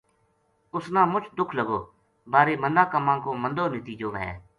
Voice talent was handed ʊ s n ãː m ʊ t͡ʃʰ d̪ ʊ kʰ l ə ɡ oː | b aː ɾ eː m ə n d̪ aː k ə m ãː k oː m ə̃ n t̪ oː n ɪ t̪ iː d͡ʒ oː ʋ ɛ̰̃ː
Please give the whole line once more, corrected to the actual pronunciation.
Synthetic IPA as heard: ʊ s n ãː m ʊ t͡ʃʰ d̪ ʊ kʰ l ə ɡ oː | b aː ɾ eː m ə n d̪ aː k ə m ãː k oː m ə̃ n d̪ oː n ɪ t̪ iː d͡ʒ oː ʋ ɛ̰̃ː